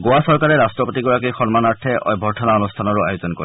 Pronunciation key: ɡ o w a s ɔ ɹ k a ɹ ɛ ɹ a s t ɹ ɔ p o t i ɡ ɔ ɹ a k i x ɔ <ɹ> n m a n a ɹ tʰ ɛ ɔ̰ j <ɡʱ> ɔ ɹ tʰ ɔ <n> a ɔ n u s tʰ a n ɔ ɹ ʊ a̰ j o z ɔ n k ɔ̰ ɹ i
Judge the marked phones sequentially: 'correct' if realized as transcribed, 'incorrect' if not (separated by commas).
incorrect, incorrect, correct